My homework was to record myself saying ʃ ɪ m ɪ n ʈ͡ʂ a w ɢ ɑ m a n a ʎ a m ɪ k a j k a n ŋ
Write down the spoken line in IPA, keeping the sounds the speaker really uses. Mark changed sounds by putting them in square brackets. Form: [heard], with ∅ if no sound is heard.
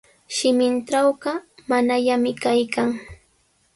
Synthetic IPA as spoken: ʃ ɪ m ɪ n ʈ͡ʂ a w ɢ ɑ m a n a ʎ a m ɪ k a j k a [∅] ŋ